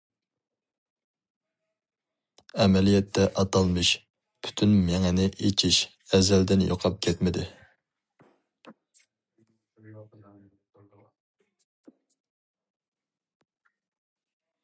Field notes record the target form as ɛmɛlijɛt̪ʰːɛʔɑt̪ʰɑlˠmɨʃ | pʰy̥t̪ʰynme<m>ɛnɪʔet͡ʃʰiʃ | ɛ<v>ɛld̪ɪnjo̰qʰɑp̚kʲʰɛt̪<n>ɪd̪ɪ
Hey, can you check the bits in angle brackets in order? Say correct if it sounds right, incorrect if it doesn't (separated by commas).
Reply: incorrect, incorrect, incorrect